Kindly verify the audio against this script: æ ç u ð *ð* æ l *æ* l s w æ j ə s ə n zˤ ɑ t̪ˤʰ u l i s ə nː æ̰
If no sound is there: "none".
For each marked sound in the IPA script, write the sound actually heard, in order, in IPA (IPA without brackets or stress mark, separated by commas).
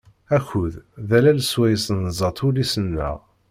ð, æ